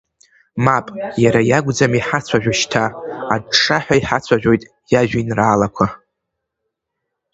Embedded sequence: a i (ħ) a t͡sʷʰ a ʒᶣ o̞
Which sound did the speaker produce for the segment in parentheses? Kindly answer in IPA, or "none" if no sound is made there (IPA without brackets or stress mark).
ħ